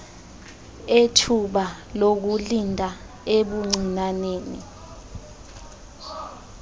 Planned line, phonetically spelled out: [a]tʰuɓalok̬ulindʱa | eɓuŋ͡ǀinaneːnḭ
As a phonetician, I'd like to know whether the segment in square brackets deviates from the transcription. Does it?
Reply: yes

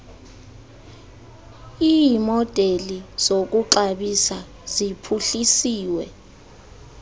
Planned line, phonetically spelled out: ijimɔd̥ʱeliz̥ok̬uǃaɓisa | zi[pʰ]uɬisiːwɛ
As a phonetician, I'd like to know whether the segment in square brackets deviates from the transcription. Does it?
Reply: no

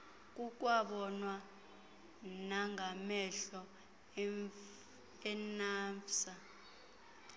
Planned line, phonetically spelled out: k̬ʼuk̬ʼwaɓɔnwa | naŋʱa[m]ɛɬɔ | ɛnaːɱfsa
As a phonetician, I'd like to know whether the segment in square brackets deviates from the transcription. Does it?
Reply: no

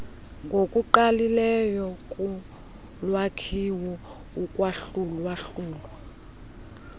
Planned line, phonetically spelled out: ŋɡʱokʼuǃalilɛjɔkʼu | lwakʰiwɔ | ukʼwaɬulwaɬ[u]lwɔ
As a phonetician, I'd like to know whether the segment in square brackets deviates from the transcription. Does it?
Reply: yes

